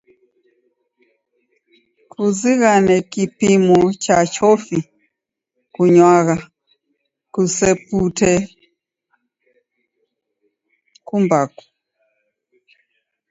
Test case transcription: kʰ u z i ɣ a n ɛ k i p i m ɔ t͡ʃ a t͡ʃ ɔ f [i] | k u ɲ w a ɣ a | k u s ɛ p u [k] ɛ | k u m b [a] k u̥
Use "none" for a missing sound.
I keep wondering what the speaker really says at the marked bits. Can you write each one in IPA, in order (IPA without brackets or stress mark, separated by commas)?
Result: i, t, a